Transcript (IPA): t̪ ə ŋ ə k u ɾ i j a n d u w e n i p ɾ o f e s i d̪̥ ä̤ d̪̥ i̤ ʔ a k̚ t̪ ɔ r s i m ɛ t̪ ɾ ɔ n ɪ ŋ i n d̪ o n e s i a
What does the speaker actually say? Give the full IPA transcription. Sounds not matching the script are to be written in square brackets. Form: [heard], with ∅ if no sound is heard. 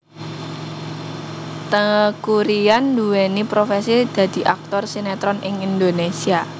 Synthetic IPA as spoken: t̪ ə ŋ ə k u ɾ i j a n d u w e n i p ɾ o f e s i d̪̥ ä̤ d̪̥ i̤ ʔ a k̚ t̪ ɔ r s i [n] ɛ t̪ ɾ ɔ n ɪ ŋ i n d̪ o n e s i a

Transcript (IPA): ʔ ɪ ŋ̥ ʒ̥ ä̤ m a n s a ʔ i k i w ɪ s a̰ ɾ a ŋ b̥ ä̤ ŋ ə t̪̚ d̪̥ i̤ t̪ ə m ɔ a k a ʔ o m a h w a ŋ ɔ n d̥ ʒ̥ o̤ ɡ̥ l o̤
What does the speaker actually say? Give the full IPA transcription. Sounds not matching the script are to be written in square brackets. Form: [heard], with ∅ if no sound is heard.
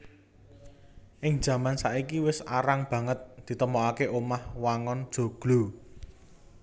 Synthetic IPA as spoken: ʔ ɪ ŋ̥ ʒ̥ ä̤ m a n s a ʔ i k i w ɪ s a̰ ɾ a ŋ b̥ ä̤ ŋ ə t̪̚ d̪̥ i̤ t̪ ə m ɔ a k [e] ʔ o m a h w a ŋ ɔ n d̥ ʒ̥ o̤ ɡ̥ l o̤

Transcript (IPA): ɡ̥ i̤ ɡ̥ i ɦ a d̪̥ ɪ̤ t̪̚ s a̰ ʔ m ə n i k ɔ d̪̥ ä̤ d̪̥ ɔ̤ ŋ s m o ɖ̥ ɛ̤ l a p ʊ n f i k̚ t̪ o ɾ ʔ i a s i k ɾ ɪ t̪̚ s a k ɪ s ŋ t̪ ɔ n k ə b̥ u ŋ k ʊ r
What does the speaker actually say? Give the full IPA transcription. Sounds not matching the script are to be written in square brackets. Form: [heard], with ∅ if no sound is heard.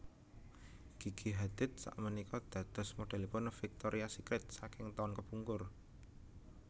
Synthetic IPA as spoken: ɡ̥ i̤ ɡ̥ i ɦ a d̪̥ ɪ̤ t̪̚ s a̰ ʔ m ə n i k ɔ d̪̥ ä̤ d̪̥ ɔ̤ [∅] s m o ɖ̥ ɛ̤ l [i] p ʊ n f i k̚ t̪ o ɾ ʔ i a s i k ɾ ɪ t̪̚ s a k ɪ [∅] ŋ t̪ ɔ n k ə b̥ u ŋ k ʊ r

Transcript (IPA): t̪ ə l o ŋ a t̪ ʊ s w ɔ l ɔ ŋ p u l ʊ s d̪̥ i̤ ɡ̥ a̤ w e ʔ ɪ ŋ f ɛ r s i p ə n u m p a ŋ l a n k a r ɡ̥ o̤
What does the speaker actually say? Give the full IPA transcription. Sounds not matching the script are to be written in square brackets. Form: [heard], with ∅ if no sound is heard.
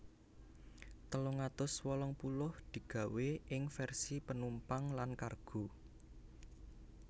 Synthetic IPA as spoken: t̪ ə l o ŋ a t̪ ʊ s w ɔ l ɔ ŋ p u l ʊ [h] d̪̥ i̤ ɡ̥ a̤ w e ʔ ɪ ŋ f ɛ r s i p ə n u m p a ŋ l a n k a r ɡ̥ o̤

